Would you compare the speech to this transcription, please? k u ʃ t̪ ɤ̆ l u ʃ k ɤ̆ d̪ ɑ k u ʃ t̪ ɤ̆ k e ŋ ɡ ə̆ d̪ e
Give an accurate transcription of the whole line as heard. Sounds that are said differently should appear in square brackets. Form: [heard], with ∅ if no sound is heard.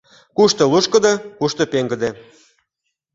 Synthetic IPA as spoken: k u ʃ t̪ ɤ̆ l u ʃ k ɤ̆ d̪ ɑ k u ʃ t̪ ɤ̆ [p] e ŋ ɡ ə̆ d̪ e